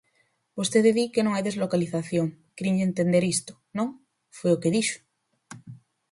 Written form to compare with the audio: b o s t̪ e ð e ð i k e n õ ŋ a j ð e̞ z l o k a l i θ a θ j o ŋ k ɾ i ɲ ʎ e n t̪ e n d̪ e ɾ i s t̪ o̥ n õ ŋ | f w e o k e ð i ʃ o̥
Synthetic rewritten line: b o s t̪ e ð e ð i k e n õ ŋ a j ð e̞ z l o k a l i θ a θ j o ŋ k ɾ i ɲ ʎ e n t̪ e n d̪ e ɾ i s t̪ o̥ n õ ŋ | f w e o k e ð i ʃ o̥